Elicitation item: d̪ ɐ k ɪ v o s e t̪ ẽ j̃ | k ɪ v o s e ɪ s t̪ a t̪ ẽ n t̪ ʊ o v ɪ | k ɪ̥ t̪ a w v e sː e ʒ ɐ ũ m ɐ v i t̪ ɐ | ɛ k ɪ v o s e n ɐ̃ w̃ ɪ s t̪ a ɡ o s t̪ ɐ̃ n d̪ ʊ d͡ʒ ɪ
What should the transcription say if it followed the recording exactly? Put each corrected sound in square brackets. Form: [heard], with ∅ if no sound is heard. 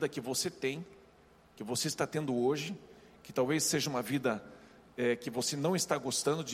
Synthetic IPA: d̪ ɐ k ɪ v o s e t̪ ẽ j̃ | k ɪ v o s e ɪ s t̪ a t̪ ẽ n [d̪] ʊ o [ʒ] ɪ | k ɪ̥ t̪ a w v e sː e ʒ ɐ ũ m ɐ v i [d̪] ɐ | ɛ k ɪ v o s e n ɐ̃ w̃ ɪ s t̪ a ɡ o s t̪ ɐ̃ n d̪ ʊ d͡ʒ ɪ